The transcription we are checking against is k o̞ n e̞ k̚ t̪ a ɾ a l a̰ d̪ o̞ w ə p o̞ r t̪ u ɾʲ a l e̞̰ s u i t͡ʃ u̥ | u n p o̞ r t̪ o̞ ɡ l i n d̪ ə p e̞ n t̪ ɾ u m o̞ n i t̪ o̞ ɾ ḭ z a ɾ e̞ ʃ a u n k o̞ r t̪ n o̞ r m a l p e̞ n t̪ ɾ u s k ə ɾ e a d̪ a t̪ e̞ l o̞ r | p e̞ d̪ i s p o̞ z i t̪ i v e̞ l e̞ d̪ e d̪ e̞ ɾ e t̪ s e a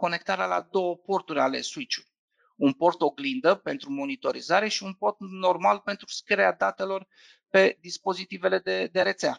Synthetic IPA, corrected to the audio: k o̞ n e̞ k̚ t̪ a ɾ a l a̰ d̪ o̞ w ə p o̞ r t̪ u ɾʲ a l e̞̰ s u i t͡ʃ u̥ | u n p o̞ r t̪ o̞ ɡ l i n d̪ ə p e̞ n t̪ ɾ u m o̞ n i t̪ o̞ ɾ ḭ z a ɾ e̞ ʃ i u n p o̞ r t̪ n o̞ r m a l p e̞ n t̪ ɾ u s k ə ɾ e a d̪ a t̪ e̞ l o̞ r | p e̞ d̪ i s p o̞ z i t̪ i v e̞ l e̞ d̪ e d̪ e̞ ɾ e t̪ s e a